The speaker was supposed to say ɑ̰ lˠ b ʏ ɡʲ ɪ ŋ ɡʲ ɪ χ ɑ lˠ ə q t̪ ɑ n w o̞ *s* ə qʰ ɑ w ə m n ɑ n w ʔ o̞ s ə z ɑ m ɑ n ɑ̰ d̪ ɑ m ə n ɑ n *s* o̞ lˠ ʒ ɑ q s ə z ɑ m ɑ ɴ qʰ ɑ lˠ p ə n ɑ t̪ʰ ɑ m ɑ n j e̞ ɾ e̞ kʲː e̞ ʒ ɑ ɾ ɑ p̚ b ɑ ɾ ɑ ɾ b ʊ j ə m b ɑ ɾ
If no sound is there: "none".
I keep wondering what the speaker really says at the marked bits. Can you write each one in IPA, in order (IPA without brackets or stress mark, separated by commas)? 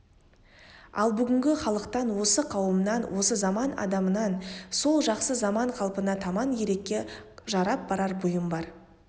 s, s